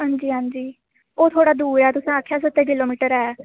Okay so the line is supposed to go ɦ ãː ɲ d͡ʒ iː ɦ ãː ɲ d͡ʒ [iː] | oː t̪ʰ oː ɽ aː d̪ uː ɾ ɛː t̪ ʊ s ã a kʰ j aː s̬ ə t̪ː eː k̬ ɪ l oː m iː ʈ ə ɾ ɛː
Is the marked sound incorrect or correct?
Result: correct